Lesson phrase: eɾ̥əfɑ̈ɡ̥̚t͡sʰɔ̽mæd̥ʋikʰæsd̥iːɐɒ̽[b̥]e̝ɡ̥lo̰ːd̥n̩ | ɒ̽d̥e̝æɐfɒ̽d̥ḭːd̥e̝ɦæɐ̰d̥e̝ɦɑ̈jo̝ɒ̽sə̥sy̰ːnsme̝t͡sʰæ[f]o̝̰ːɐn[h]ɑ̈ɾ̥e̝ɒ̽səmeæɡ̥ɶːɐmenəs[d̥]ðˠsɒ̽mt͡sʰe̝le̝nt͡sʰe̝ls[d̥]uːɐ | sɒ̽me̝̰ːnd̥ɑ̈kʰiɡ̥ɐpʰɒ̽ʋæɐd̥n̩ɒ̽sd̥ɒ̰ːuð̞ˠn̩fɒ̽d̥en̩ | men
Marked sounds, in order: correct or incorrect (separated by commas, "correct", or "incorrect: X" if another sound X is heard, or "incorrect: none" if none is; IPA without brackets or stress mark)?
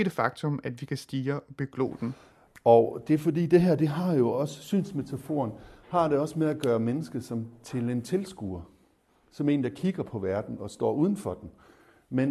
correct, correct, correct, incorrect: ɡ̥, incorrect: ɡ̥